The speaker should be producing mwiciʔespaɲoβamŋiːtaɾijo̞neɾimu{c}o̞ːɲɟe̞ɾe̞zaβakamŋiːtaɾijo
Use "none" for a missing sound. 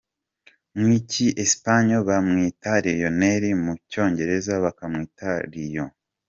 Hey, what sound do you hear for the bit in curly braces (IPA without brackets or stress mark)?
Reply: c